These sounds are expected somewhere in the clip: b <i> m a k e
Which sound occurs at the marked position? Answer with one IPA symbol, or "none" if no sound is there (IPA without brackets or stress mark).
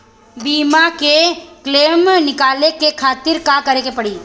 iː